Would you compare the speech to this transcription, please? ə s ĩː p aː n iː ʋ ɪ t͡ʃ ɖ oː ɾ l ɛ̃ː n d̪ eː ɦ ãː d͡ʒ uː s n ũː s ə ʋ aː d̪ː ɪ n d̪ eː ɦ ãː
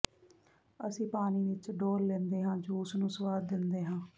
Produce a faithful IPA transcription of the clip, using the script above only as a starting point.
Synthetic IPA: ə s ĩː p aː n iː ʋ ɪ t͡ʃ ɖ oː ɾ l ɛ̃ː n d̪ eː ɦ ãː d͡ʒ uː s n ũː s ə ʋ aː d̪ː ɪ n d̪ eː ɦ ãː